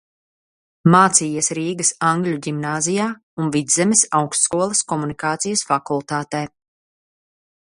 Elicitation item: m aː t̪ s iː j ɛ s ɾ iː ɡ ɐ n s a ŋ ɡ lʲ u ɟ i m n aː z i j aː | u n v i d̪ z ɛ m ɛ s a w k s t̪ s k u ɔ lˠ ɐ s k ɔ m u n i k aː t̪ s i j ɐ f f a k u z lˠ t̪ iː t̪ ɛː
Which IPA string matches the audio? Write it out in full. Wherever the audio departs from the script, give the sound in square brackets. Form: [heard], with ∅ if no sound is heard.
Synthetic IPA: m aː t̪ s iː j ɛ s ɾ iː ɡ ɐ [∅] s a ŋ ɡ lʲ u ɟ i m n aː z i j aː | u n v i d̪ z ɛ m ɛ s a w k s t̪ s k u ɔ lˠ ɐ s k ɔ m u n i k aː t̪ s i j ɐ [s] f a k u [∅] lˠ t̪ [aː] t̪ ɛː